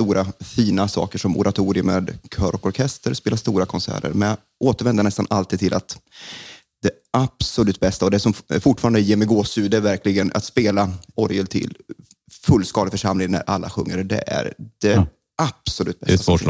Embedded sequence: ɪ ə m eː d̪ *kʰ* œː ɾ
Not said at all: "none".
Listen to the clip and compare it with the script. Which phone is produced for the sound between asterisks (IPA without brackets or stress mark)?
kʰ